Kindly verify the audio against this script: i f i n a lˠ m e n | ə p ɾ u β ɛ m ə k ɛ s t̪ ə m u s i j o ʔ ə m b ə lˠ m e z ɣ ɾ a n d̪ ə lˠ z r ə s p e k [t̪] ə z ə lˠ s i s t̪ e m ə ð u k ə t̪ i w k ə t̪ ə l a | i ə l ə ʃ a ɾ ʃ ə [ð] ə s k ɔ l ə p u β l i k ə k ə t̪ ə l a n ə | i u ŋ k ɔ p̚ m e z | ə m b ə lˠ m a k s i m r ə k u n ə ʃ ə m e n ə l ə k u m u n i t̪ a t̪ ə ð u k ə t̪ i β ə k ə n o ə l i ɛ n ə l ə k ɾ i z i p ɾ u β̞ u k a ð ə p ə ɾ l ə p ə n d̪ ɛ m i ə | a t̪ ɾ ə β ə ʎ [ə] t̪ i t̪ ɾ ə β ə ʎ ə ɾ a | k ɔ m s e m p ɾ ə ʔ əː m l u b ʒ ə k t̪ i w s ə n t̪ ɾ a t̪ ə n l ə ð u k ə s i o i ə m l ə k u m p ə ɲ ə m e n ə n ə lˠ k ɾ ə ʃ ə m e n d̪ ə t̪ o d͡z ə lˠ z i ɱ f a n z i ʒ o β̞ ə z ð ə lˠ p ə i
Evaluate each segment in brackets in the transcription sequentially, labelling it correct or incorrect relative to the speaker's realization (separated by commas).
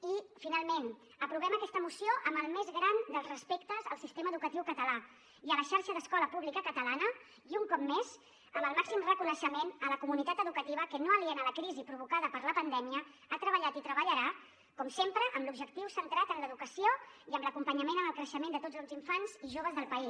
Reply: correct, correct, incorrect